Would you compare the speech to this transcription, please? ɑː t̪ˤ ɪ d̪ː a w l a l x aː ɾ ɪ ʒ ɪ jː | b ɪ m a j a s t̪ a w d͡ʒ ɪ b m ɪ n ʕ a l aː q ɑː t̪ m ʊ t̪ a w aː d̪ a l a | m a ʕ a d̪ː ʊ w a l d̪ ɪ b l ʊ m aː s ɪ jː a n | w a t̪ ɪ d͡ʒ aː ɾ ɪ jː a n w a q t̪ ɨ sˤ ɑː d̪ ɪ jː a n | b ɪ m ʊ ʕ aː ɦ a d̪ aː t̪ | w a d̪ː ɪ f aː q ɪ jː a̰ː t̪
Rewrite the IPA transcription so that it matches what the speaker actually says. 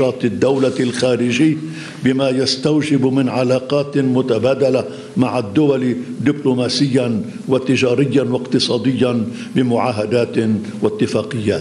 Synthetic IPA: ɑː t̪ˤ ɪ d̪ː a w l a l x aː ɾ ɪ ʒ ɪ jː | b ɪ m a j a s t̪ a w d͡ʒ ɪ b m ɪ n ʕ a l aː q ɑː t̪ m ʊ t̪ a b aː d̪ a l a | m a ʕ a d̪ː ʊ w a l d̪ ɪ b l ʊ m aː s ɪ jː a n | w a t̪ ɪ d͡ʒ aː ɾ ɪ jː a n w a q t̪ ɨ sˤ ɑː d̪ ɪ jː a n | b ɪ m ʊ ʕ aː ɦ a d̪ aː t̪ | w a t̪ː ɪ f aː q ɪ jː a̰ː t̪